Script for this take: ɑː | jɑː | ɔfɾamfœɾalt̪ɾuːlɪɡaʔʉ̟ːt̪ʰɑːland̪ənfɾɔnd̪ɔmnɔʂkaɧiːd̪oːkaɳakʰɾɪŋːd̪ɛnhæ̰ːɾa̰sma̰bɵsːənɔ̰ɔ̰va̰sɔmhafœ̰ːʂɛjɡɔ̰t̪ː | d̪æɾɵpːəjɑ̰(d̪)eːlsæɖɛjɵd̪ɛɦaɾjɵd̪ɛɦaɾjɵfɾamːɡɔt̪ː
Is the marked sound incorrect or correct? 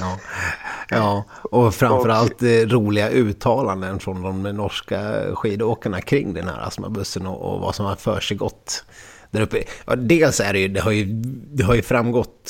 correct